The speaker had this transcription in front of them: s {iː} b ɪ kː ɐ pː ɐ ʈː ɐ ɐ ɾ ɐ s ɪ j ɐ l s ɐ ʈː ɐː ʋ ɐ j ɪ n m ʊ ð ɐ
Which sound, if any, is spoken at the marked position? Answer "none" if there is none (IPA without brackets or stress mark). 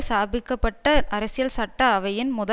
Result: aː